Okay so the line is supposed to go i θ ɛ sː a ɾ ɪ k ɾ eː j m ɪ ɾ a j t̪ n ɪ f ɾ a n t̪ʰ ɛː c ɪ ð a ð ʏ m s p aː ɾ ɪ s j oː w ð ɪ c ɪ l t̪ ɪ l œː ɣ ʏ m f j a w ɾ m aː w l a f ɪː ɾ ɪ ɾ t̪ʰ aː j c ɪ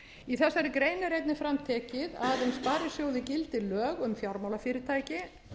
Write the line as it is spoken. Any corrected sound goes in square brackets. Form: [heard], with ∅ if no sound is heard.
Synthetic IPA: i θ ɛ sː a ɾ ɪ k ɾ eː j [n] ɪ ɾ [e] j t̪ n ɪ f ɾ a [m] t̪ʰ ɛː c ɪ ð a ð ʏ m s p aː ɾ ɪ s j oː w ð ɪ c ɪ l t̪ ɪ l œː ɣ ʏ m f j a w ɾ m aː w l a f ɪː ɾ ɪ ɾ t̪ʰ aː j c ɪ